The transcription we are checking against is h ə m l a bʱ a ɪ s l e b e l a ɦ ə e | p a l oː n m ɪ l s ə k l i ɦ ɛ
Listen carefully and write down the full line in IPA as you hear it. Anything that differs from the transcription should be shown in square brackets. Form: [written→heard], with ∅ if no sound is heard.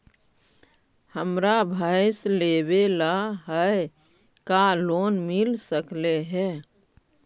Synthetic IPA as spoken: h ə m [l→ɾ] a bʱ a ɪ s l e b e l a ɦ ə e | [p→k] a l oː n m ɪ l s ə k l [i→e] ɦ ɛ